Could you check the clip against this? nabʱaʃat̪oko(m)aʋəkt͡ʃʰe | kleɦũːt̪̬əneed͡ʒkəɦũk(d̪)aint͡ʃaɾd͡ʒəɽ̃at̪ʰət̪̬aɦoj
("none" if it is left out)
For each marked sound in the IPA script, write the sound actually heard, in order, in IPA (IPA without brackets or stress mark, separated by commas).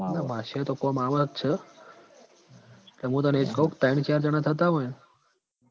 m, t̪